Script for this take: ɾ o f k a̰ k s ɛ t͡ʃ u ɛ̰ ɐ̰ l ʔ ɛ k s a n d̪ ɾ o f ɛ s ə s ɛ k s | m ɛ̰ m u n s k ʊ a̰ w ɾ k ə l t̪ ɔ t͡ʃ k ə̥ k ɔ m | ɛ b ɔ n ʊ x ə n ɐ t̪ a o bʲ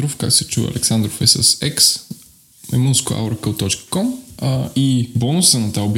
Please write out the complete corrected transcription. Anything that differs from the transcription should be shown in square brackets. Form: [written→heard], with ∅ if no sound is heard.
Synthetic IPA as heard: ɾ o f k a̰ k s ɛ t͡ʃ u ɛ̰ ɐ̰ l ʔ ɛ k s a n d̪ ɾ o f ɛ s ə s ɛ k s | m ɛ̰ m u n s k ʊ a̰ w ɾ k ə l t̪ ɔ t͡ʃ k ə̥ k ɔ m | [ɛ→i] b ɔ n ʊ [x→s] ə n ɐ t̪ a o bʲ